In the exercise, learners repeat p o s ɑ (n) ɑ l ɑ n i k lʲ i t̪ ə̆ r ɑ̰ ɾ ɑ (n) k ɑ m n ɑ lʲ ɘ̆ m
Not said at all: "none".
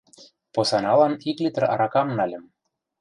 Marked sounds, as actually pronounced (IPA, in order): n, none

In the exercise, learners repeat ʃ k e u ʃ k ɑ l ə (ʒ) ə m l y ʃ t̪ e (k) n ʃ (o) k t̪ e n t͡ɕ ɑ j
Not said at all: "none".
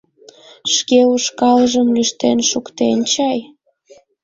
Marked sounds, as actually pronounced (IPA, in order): ʒ, none, u

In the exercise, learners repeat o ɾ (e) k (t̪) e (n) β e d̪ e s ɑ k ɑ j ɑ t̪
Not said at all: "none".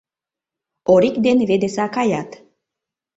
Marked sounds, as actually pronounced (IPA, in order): i, d̪, n

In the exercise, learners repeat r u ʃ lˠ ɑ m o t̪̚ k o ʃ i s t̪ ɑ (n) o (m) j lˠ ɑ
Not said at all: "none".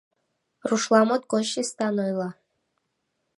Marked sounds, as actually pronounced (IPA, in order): n, none

